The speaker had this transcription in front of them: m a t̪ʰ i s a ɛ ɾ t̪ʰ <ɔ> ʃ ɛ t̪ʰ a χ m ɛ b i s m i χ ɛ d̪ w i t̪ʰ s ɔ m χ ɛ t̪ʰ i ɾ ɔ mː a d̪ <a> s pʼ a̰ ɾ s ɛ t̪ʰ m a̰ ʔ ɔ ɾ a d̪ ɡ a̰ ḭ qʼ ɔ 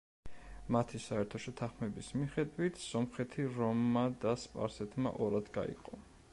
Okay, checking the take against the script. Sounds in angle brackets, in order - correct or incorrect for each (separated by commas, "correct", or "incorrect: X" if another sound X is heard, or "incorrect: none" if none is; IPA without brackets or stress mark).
correct, correct